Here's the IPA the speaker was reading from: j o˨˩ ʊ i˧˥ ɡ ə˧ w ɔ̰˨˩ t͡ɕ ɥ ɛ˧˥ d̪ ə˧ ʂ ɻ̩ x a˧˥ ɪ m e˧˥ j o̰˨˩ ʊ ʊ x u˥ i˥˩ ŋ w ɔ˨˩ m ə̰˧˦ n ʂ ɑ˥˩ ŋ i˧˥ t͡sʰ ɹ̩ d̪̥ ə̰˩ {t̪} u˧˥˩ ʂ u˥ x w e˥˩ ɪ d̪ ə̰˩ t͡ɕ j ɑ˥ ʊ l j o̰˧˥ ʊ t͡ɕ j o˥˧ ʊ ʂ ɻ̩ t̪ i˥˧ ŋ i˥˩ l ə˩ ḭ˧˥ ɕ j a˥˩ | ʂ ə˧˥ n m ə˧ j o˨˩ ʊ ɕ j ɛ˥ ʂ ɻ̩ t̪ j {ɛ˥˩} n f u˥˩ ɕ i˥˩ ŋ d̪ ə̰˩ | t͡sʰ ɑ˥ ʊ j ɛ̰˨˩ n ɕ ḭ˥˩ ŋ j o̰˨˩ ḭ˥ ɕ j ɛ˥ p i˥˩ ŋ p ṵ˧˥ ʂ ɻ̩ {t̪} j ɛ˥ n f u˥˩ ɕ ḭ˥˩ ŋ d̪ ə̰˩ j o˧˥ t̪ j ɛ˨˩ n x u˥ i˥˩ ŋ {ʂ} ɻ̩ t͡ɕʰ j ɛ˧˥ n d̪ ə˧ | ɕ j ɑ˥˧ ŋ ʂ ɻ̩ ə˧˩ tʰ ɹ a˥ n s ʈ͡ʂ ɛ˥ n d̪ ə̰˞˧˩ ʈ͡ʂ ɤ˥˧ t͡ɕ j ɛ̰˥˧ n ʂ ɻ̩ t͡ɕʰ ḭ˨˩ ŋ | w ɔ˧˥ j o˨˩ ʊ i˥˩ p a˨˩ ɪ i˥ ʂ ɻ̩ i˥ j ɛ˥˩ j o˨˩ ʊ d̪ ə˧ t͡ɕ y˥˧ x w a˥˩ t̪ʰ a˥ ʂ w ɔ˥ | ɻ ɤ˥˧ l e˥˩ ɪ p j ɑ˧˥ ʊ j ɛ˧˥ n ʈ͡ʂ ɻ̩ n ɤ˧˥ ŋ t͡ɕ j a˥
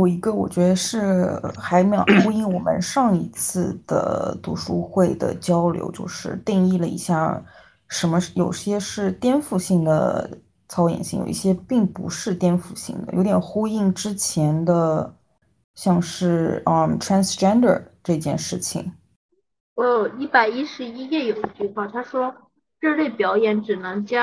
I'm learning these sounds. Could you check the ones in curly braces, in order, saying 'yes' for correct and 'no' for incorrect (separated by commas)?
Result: yes, no, yes, no